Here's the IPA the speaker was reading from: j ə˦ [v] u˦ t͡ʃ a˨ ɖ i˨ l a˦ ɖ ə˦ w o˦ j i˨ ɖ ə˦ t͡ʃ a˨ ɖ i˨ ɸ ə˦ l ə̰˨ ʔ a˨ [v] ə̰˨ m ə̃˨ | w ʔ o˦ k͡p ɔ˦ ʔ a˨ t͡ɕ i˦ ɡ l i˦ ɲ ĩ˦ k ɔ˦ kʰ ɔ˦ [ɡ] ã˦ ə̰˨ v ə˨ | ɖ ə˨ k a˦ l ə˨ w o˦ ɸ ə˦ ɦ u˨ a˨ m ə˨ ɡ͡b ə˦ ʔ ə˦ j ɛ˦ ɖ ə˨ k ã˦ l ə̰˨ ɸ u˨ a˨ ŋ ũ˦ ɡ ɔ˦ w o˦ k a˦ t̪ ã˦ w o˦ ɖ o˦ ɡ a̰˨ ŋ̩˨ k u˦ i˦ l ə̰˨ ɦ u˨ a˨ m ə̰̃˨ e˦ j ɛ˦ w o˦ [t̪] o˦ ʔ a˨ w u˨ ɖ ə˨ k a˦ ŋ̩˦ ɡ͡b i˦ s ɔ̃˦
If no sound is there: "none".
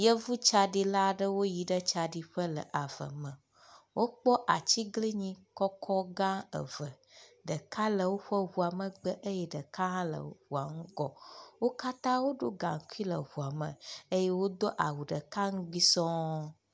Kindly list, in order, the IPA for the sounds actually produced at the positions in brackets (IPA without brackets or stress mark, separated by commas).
v, v, ɡ, d̪